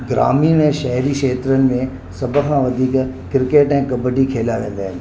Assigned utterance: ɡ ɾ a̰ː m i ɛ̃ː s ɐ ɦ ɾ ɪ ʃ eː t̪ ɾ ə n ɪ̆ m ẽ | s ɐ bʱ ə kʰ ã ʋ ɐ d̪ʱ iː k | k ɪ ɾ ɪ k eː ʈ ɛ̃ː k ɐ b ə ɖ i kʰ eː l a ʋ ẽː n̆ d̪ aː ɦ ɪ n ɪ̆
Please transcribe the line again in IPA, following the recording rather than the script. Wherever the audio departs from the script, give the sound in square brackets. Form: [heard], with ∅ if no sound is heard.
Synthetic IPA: ɡ ɾ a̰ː m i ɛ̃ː [ʃ] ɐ ɦ ɾ [i] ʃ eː t̪ ɾ ə n ɪ̆ m ẽ | s ɐ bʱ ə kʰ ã ʋ ɐ d̪ʱ iː k | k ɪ ɾ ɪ k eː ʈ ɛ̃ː k ɐ b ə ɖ i kʰ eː l a ʋ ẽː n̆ d̪ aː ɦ ɪ n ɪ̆